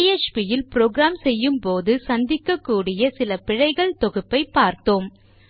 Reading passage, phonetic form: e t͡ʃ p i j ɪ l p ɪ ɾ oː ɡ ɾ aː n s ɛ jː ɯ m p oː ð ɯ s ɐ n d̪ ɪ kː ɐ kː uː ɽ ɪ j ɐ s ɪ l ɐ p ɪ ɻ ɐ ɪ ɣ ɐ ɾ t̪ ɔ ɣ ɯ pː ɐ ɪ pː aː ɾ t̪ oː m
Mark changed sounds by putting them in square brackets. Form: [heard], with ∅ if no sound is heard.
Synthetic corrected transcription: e t͡ʃ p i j ɪ l p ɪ ɾ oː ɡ ɾ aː [m] s ɛ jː ɯ m p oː ð ɯ s ɐ n d̪ ɪ kː ɐ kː uː ɽ ɪ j ɐ s ɪ l ɐ p ɪ ɻ ɐ ɪ ɣ ɐ [ɭ] t̪ ɔ ɣ ɯ pː ɐ ɪ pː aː ɾ t̪ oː m